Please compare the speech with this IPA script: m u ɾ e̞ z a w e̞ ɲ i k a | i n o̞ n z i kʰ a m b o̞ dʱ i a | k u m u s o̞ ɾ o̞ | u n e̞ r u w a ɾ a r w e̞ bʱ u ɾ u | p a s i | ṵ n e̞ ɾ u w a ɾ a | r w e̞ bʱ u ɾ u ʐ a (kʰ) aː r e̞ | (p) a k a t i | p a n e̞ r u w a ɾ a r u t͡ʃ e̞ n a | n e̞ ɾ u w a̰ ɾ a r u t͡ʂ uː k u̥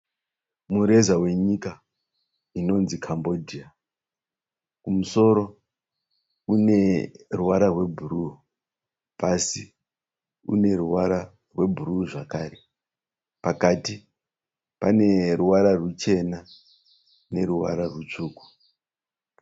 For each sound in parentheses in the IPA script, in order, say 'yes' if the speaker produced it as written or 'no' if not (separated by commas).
no, yes